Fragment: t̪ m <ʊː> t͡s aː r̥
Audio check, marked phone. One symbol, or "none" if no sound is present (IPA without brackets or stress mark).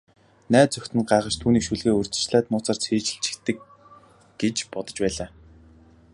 ʊː